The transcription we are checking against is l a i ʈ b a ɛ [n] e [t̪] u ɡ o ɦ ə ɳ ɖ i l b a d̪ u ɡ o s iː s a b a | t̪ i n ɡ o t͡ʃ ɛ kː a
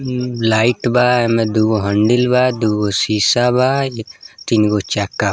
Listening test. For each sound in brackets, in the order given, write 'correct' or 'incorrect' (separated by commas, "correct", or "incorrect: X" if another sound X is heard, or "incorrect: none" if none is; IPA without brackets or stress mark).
incorrect: m, incorrect: d̪